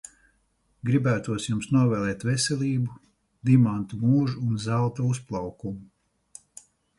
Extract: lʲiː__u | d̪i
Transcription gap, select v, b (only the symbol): b